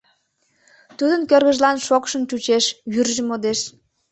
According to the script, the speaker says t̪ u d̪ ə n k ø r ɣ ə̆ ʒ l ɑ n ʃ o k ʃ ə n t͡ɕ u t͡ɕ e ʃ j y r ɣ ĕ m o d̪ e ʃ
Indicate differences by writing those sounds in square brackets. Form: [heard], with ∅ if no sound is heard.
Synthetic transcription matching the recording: t̪ u d̪ ə n k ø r ɣ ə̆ ʒ l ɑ n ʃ o k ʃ ə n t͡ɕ u t͡ɕ e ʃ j y r [ʒ] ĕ m o d̪ e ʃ

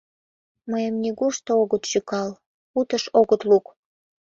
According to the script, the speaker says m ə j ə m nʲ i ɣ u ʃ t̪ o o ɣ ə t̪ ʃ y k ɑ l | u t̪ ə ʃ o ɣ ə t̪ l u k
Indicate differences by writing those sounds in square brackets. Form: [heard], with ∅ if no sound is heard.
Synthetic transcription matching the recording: m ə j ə m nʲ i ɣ u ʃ t̪ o o ɣ ə t̪ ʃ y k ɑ l | u t̪ ə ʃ o ɣ ə t̪ l u k

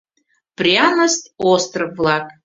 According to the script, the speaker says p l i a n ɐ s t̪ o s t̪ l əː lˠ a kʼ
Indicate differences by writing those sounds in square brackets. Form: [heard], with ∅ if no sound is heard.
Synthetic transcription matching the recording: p [r] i a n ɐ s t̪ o s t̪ [r] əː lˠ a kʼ

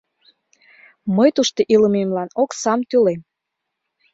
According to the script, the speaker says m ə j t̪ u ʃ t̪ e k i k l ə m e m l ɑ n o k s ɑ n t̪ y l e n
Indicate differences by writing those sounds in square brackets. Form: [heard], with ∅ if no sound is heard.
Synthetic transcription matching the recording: m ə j t̪ u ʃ t̪ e [ʔ] i [∅] l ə m e m l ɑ n o k s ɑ [m] t̪ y l e [m]

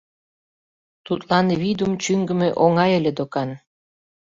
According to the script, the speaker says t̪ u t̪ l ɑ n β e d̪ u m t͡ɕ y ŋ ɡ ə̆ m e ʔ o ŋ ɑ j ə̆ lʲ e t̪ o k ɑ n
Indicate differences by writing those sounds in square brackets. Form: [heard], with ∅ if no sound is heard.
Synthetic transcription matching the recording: t̪ u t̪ l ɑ n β [i] d̪ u m t͡ɕ y ŋ ɡ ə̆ m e ʔ o ŋ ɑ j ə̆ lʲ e [d̪] o k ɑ n

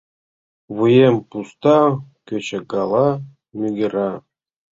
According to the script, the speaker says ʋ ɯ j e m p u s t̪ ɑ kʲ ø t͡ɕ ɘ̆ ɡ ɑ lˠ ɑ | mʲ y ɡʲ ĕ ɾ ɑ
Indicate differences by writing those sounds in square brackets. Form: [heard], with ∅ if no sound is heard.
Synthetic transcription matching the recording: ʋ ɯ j e m p u s t̪ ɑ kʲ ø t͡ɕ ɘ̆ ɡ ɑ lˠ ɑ | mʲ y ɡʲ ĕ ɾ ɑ

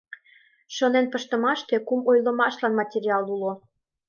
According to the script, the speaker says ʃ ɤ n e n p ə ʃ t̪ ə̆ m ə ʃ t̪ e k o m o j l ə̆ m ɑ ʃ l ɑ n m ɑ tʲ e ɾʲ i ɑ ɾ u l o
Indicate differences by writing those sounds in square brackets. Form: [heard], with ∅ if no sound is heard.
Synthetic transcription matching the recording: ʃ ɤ n e n p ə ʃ t̪ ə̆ m [ɑ] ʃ t̪ e k [u] m o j l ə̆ m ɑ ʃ l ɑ n m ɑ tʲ e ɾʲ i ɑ [l] u l o

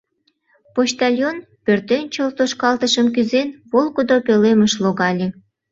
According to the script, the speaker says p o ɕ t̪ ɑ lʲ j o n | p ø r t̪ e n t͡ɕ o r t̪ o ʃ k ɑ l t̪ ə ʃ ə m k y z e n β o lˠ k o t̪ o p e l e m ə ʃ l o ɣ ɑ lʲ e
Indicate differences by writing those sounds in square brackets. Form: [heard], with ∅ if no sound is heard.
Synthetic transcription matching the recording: p o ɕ t̪ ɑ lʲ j o n | p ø r t̪ e n t͡ɕ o [l] t̪ o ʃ k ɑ l t̪ ə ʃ ə m k y z e n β o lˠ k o [d̪] o p e l e m ə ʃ l o ɣ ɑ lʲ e

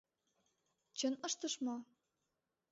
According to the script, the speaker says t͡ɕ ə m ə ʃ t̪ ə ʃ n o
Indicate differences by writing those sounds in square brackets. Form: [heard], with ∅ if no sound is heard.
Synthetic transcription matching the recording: t͡ɕ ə [n] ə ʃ t̪ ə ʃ [m] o

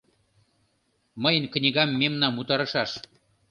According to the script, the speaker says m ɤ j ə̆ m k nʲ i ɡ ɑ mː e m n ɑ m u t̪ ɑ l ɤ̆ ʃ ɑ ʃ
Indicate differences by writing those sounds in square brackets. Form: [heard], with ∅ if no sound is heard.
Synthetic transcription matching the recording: m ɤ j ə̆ [n] k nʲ i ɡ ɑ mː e m n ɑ m u t̪ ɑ [ɾ] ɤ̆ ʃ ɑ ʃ

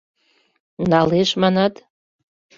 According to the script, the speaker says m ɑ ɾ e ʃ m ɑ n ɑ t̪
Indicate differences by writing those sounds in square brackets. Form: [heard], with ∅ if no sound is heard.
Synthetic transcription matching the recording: [n] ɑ [l] e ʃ m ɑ n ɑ t̪

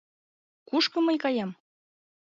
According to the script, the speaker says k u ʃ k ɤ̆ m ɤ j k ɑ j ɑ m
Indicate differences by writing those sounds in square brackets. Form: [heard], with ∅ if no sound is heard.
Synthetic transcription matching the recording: k u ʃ k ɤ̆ m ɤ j k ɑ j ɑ m

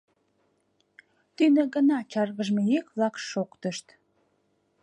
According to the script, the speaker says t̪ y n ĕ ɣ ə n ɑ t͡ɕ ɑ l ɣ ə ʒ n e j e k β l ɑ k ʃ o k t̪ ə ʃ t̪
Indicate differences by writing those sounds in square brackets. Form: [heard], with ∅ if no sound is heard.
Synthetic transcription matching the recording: t̪ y n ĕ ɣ ə n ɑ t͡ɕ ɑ [r] ɣ ə ʒ [m] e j e k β l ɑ k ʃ o k t̪ ə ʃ t̪

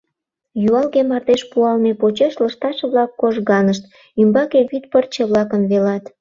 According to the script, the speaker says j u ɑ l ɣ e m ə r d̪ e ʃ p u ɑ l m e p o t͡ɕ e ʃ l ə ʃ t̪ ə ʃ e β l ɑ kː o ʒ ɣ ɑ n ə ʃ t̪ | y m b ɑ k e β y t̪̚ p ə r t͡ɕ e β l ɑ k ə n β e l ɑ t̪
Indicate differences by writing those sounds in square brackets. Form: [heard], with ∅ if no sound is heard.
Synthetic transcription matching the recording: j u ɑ l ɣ e m [ɑ] r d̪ e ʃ p u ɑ l m e p o t͡ɕ e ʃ l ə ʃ t̪ [ɑ] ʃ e β l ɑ kː o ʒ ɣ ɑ n ə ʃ t̪ | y m b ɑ k e β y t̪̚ p ə r t͡ɕ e β l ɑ k ə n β e l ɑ t̪

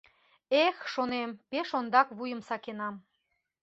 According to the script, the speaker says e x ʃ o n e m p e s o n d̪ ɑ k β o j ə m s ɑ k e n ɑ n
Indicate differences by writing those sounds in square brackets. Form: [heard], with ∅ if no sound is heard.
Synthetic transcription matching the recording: e x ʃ o n e m p e [ʃ] o n d̪ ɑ k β [u] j ə m s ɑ k e n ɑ [m]

